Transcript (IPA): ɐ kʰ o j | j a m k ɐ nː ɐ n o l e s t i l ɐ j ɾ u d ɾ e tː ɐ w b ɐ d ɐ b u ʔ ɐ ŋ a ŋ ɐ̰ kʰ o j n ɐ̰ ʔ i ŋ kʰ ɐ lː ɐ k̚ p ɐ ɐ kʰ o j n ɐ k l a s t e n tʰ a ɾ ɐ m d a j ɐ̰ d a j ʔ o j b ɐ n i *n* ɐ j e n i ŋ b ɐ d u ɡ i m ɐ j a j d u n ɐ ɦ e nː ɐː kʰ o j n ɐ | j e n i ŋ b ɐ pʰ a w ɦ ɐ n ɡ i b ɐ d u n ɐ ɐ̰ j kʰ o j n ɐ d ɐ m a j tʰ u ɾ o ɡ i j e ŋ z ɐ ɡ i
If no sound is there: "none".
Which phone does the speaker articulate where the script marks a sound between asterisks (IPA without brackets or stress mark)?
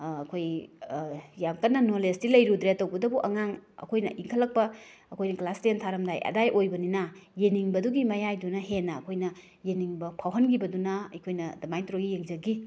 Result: n